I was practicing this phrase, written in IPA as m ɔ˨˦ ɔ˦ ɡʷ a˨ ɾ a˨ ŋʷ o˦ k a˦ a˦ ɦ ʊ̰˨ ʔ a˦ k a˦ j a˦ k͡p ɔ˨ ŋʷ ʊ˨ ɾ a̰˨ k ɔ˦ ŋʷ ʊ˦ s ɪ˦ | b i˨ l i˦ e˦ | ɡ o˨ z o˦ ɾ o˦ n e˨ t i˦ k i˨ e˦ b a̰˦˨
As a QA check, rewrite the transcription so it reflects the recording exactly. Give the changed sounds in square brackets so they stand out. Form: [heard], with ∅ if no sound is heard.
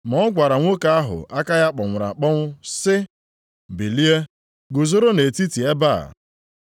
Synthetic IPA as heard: m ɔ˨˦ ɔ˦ ɡʷ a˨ ɾ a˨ ŋʷ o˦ k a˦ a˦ ɦ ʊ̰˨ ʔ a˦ k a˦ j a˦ k͡p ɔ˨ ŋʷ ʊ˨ ɾ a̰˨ [k͡p] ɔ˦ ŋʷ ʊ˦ s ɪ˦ | b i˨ l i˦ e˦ | ɡ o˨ z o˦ ɾ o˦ n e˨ t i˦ [t] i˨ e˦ b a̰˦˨